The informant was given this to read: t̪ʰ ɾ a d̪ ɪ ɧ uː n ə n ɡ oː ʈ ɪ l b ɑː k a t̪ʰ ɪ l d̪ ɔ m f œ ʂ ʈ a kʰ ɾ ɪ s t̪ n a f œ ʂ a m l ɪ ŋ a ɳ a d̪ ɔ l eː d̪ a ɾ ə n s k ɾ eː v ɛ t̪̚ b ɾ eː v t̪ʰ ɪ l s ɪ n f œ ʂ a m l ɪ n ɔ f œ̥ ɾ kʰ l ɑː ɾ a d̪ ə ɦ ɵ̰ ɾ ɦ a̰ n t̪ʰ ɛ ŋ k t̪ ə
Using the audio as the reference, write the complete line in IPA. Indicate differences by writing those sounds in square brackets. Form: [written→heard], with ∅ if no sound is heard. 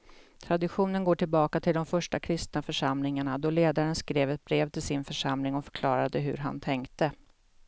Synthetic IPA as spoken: t̪ʰ ɾ a d̪ ɪ ɧ uː n ə n ɡ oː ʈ ɪ l b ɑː k a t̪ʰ ɪ l d̪ ɔ m f œ ʂ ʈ a kʰ ɾ ɪ s t̪ n a f œ ʂ a m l ɪ ŋ a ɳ a d̪ ɔ l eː d̪ a ɾ ə n s k ɾ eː v ɛ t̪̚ b ɾ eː v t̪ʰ ɪ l s ɪ n f œ ʂ a m l ɪ [n→ŋ] ɔ f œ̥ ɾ kʰ l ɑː ɾ a d̪ ə ɦ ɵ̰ ɾ ɦ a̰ n t̪ʰ ɛ ŋ k t̪ ə